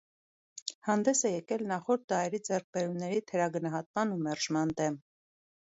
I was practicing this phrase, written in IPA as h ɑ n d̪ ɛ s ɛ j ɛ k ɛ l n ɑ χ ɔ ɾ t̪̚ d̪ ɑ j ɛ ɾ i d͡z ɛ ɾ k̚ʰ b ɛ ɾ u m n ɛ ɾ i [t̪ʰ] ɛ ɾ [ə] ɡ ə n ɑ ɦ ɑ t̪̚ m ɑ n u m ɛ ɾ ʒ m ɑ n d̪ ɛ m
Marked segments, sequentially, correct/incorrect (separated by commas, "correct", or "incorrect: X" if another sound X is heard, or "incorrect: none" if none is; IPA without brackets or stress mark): correct, incorrect: ɑ